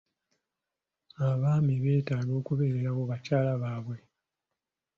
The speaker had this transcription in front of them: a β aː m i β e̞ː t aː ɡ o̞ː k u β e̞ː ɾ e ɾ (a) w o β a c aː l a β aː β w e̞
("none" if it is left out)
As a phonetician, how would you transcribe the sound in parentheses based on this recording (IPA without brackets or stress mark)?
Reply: a